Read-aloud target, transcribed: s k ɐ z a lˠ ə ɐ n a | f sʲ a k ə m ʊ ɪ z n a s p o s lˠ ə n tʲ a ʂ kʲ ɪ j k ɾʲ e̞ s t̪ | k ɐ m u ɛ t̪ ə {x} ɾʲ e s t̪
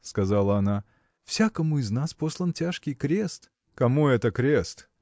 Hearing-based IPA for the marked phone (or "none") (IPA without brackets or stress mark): k